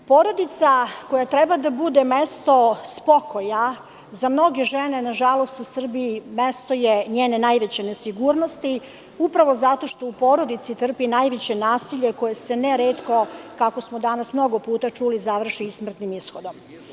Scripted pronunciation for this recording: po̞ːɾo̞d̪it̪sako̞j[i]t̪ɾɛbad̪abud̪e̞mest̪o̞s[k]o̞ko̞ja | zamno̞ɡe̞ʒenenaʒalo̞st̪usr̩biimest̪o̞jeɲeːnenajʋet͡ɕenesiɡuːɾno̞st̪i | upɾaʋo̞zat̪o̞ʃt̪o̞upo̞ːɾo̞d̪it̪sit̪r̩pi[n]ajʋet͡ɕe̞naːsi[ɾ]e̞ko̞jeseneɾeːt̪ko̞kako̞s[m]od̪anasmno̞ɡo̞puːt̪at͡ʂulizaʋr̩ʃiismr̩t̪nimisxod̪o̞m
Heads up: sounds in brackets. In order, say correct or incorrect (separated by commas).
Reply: incorrect, incorrect, correct, incorrect, correct